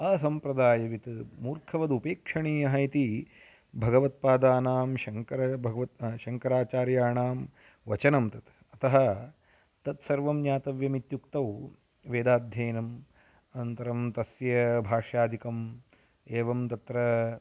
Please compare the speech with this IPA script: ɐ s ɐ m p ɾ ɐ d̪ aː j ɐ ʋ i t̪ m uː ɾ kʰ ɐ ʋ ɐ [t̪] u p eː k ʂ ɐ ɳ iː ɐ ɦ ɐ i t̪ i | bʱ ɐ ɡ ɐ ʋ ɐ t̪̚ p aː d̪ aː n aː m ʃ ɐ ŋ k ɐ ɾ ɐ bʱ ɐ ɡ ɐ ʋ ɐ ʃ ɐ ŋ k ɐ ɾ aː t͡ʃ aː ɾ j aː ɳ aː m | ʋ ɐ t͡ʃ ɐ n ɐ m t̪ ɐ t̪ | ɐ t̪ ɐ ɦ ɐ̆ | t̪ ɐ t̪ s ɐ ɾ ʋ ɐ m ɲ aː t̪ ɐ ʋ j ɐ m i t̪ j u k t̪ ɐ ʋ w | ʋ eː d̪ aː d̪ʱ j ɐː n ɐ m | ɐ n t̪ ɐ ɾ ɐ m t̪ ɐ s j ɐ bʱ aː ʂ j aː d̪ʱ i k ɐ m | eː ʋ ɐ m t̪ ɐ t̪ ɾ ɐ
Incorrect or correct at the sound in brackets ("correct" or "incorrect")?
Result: incorrect